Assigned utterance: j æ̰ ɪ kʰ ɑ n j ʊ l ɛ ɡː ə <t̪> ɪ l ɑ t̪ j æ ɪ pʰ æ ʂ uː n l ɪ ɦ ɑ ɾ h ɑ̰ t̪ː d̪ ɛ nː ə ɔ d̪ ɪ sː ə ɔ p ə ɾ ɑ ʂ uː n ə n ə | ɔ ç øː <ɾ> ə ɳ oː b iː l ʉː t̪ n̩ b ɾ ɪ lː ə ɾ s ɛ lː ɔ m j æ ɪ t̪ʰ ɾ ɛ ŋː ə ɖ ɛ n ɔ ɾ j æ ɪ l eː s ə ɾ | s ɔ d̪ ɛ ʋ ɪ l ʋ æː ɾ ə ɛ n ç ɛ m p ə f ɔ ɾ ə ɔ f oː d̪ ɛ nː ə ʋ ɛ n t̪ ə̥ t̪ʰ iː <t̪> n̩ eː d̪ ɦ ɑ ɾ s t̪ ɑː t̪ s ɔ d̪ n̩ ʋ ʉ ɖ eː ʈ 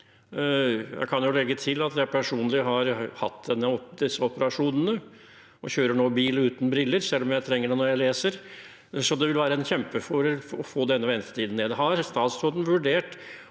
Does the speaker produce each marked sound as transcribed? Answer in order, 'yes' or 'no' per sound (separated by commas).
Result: no, yes, no